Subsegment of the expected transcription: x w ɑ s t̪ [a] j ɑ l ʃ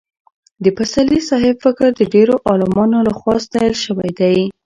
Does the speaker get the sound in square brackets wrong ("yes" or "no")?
yes